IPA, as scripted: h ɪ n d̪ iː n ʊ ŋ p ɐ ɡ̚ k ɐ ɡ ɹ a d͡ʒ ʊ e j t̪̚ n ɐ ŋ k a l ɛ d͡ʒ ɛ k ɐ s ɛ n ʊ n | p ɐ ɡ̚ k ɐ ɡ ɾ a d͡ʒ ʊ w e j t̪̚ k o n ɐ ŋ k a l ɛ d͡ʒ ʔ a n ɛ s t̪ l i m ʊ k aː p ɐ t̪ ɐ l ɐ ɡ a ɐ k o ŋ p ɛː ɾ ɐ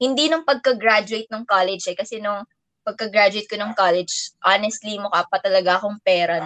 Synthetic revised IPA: h ɪ n d̪ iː n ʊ ŋ p ɐ ɡ̚ k ɐ ɡ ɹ a d͡ʒ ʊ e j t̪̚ n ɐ ŋ k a l ɛ d͡ʒ ɛ k ɐ s ɛ n ʊ ŋ | p ɐ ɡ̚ k ɐ ɡ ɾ a d͡ʒ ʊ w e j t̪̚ k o n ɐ ŋ k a l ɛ d͡ʒ ʔ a n ɛ s t̪ l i m ʊ k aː p ɐ t̪ ɐ l ɐ ɡ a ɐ k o ŋ p ɛː ɾ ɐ